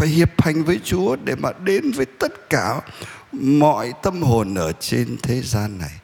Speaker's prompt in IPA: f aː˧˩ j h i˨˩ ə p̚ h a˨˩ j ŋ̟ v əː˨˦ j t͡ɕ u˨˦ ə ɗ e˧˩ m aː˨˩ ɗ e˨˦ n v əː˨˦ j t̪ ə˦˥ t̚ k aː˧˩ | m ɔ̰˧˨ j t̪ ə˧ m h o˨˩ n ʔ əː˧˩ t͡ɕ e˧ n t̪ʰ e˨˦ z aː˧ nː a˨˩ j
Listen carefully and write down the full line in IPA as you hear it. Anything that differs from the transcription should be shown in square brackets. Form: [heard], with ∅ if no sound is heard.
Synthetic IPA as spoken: f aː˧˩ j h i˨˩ ə p̚ h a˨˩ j ŋ̟ v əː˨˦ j t͡ɕ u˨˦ ə ɗ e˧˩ m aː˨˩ ɗ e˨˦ n v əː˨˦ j t̪ ə˦˥ t̚ k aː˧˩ | m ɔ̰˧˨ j t̪ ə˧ m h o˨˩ n ʔ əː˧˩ t͡ɕ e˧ n t̪ʰ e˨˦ z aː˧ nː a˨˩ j